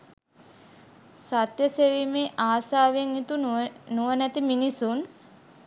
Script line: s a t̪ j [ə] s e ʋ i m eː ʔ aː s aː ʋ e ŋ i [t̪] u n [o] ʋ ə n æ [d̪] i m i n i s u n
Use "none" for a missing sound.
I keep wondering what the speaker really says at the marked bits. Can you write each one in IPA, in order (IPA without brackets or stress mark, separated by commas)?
ə, t̪, u, t̪